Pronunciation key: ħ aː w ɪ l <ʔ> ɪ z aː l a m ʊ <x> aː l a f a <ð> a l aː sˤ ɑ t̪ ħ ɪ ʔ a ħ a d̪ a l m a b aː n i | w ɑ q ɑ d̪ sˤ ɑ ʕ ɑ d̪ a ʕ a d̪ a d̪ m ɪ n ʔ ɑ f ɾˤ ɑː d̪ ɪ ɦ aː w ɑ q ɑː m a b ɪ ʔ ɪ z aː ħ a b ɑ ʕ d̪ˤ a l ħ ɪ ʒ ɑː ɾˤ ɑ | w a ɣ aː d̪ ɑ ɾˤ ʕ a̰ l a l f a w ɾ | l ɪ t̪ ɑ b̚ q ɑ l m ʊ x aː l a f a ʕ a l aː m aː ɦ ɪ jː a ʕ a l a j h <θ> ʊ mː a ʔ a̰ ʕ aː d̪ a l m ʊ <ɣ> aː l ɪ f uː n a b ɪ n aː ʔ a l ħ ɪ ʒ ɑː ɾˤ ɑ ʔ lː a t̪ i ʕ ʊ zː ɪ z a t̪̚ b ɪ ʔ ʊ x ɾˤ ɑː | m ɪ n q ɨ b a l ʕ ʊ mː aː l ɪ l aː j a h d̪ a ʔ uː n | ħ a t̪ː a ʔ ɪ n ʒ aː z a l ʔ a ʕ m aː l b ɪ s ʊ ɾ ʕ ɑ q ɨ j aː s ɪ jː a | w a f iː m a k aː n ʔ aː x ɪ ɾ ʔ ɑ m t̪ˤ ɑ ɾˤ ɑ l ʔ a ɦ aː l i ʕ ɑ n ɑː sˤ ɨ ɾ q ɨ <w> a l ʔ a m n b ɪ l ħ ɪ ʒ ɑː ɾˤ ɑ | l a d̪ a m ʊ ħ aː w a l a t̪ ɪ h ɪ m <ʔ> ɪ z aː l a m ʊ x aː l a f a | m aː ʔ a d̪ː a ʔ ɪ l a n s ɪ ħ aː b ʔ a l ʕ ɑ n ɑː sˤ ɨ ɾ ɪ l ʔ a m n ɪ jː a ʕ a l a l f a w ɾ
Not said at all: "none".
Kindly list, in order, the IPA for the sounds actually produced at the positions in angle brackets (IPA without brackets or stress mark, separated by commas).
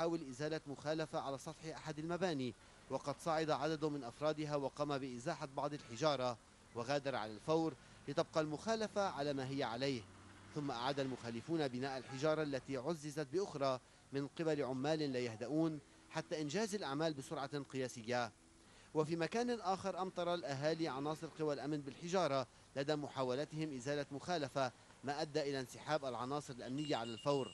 ʔ, x, ʕ, θ, x, w, ʔ